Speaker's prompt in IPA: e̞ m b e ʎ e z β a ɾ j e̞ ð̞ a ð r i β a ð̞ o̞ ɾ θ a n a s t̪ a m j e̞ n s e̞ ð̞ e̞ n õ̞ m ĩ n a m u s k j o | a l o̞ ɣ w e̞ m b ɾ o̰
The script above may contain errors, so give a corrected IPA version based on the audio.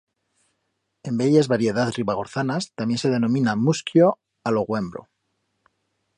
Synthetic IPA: e̞ m b e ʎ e z β a ɾ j e̞ ð̞ a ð r i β a ɣ̞ o̞ ɾ θ a n a s t̪ a m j e̞ n s e̞ ð̞ e̞ n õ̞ m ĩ n a m u s k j o | a l o̞ ɣ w e̞ m b ɾ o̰